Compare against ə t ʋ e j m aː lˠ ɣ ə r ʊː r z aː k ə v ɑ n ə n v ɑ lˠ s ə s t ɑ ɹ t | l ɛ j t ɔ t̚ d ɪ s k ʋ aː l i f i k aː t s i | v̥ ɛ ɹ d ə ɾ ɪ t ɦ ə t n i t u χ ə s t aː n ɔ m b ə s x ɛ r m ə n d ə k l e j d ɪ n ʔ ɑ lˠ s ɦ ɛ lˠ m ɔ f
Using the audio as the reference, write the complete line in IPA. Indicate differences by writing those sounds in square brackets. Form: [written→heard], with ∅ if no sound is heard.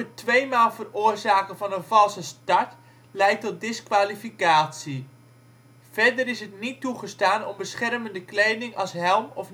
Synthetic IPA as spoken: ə t ʋ e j m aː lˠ [ɣ→v] ə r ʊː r z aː k ə v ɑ n ə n v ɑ lˠ s ə s t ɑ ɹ t | l ɛ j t ɔ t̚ d ɪ s k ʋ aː l i f i k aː t s i | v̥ ɛ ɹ d ə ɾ ɪ [t→s] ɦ ə t n i t u χ ə s t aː n ɔ m b ə s [x→χ] ɛ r m ə n d ə k l e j d ɪ [n→ŋ] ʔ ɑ lˠ s ɦ ɛ lˠ m ɔ f